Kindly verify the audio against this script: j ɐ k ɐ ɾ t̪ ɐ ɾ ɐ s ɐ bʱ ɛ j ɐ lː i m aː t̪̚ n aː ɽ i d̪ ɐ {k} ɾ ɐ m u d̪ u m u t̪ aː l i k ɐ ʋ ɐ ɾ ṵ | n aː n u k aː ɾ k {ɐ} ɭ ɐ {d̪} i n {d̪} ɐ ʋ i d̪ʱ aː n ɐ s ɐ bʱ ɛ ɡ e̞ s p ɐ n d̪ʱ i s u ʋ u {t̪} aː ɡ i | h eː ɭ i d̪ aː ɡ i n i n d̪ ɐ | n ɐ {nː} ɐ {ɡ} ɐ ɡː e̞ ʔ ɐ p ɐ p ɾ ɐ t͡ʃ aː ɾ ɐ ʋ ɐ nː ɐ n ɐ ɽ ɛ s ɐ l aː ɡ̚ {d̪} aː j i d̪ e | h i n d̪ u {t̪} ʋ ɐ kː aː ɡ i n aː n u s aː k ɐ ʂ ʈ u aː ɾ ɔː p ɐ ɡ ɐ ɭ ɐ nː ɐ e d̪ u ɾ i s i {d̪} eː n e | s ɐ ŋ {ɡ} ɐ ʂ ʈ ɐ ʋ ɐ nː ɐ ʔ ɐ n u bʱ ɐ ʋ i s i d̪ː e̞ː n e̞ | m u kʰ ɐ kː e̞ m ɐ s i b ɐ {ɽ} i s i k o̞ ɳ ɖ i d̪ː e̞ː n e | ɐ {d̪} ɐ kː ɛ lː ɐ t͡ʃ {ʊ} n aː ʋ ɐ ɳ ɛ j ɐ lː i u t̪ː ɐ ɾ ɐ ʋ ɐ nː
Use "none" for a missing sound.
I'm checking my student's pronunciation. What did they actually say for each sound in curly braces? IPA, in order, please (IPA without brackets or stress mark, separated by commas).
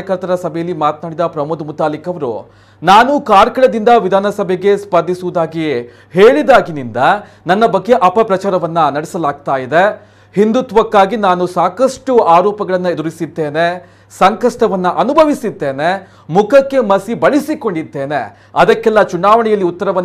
p, ɐ, d̪, d̪, d̪, nː, b, t̪, t̪, d̪ː, k, ɭ, d̪, u